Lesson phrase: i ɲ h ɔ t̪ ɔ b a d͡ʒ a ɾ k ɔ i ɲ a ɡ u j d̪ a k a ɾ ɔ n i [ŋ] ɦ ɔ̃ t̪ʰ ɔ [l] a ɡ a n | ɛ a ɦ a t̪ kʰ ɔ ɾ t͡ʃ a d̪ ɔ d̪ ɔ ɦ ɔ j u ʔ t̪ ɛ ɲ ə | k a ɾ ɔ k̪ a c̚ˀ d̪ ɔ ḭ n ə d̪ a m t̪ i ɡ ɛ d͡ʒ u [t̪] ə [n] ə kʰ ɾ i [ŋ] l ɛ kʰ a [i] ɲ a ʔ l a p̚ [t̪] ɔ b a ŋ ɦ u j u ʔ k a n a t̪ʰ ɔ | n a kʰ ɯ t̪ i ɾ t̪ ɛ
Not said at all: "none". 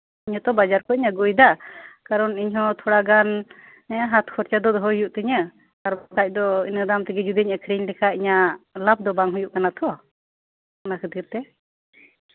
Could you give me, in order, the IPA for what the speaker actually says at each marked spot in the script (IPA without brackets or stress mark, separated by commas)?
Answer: ɲ, ɽ, d̪, ɲ, ɲ, i, d̪